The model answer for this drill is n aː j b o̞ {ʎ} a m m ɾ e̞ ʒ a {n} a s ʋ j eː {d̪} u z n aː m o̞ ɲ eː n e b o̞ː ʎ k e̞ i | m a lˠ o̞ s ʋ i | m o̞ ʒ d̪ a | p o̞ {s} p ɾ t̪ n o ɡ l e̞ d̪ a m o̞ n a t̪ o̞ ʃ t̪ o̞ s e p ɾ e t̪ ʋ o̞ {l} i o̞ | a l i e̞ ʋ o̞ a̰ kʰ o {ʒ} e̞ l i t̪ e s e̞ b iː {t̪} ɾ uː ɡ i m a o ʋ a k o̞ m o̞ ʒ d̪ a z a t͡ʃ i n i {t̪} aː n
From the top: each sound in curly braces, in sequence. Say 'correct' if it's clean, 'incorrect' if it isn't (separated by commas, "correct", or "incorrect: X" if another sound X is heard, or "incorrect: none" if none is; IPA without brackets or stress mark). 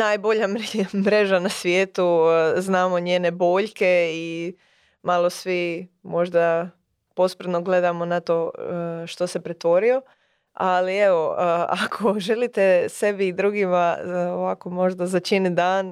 correct, correct, incorrect: t̪, correct, incorrect: ɾ, correct, incorrect: d̪, incorrect: d̪